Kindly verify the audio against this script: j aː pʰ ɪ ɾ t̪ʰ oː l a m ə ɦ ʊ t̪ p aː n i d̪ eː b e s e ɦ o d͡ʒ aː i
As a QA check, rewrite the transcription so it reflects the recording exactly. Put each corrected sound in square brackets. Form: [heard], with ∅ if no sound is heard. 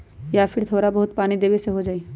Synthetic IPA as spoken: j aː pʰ ɪ ɾ t̪ʰ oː [ɾ] a [b] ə ɦ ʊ t̪ p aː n i d̪ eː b e s e ɦ o d͡ʒ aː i